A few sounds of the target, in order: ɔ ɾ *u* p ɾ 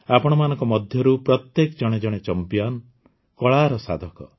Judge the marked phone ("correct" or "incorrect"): correct